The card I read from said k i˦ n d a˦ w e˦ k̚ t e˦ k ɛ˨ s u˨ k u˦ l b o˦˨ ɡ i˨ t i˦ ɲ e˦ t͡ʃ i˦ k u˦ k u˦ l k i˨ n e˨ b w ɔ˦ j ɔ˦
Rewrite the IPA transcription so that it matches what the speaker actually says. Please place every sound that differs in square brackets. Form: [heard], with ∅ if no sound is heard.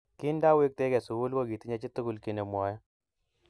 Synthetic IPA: k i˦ n d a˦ w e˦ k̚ t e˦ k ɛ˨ s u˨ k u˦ l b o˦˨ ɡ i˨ t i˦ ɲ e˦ t͡ʃ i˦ [t] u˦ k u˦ l k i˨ n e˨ [m] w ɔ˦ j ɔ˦